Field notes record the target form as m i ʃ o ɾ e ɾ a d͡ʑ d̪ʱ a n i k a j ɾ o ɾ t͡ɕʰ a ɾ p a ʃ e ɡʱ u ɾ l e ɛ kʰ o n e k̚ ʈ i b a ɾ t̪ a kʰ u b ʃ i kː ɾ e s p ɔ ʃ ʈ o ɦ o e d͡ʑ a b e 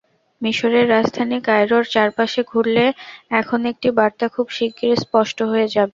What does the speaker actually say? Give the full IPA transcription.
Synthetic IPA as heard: m i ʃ o ɾ e ɾː a d͡ʑ d̪ʱ a n i k a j ɾ o ɾ t͡ɕ a ɾ p a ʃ e ɡʱ u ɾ l e ɛ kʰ o n e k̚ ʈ i b a ɾ t̪ a kʰ u b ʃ i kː ɾ e s p ɔ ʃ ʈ o ɦ o e d͡ʑ a b e